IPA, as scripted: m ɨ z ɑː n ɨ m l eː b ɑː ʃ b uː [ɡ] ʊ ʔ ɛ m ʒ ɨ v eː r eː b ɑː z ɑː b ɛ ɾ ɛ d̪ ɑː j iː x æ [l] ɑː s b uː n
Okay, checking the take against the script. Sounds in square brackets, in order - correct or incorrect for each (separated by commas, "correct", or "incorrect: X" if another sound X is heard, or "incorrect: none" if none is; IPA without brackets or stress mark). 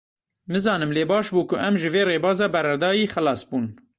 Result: incorrect: k, correct